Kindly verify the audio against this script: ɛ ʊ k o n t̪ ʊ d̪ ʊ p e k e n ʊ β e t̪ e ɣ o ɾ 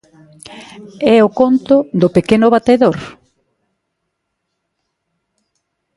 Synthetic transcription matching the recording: ɛ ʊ k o n t̪ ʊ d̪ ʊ p e k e n ʊ β a t̪ e ð o ɾ